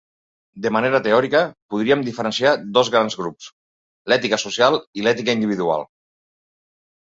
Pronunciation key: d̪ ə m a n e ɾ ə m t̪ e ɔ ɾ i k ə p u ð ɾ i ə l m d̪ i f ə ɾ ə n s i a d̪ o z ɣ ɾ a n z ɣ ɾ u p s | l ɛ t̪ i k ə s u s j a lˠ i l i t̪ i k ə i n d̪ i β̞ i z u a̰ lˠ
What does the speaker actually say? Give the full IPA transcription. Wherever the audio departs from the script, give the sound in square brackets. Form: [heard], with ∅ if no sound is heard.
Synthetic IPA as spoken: d̪ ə m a n e ɾ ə [∅] t̪ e ɔ ɾ i k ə p u ð ɾ i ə [∅] m d̪ i f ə ɾ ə n s i a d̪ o z ɣ ɾ a n z ɣ ɾ u p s | l ɛ t̪ i k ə s u s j a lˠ i l [ɛ] t̪ i k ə i n d̪ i β̞ i [ð] u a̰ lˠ